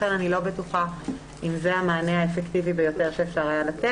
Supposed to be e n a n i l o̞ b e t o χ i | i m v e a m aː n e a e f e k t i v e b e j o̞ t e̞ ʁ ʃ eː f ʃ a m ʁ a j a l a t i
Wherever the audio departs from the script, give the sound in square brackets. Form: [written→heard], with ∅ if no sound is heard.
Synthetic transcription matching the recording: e n a n i l o̞ b e t [o→u] χ [i→a] | i m [v→z] e a m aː n e a e f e k t i v [e→i] b e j o̞ t e̞ ʁ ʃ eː f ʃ a [m→∅] ʁ a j a l a t [i→e]

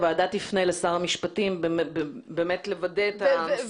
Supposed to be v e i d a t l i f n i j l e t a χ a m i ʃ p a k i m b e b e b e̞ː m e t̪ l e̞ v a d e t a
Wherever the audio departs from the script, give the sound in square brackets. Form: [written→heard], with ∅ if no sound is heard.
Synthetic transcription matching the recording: v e [i→a] d a t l i f n [i→e] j l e [t→s] a [χ→ʁ] a m i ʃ p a [k→t] i m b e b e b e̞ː m e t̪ l e̞ v a d e t a

